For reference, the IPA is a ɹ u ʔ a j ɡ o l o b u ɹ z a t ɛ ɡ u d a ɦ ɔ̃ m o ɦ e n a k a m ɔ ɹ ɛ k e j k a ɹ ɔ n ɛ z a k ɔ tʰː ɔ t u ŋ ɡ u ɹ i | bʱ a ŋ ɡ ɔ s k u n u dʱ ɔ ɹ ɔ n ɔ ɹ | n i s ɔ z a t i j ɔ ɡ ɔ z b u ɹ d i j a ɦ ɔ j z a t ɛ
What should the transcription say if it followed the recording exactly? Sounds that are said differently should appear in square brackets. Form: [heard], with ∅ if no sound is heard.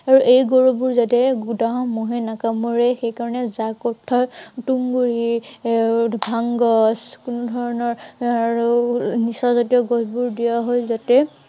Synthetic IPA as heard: a ɹ u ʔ [e] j ɡ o [ɹ] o b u ɹ z a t ɛ ɡ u d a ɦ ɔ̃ m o ɦ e n a k a m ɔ ɹ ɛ [x] e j k a ɹ ɔ n ɛ z a k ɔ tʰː ɔ t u ŋ ɡ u ɹ i | bʱ a ŋ ɡ ɔ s k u n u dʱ ɔ ɹ ɔ n ɔ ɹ | n i s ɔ z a t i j ɔ ɡ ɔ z b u ɹ d i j a ɦ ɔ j z a t ɛ